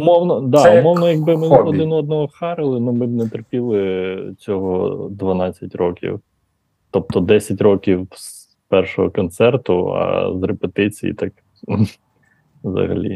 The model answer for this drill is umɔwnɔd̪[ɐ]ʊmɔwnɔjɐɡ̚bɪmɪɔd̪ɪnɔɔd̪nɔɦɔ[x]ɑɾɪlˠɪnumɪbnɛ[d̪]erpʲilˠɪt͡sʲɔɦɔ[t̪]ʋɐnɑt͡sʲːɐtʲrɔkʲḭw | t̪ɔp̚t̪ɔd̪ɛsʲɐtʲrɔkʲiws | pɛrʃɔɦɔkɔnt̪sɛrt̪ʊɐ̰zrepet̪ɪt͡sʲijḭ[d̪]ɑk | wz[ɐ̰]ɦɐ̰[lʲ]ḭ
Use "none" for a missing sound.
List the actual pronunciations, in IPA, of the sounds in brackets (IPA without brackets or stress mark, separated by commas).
ɑ, x, t̪, d̪, t̪, ɐ̰, lʲ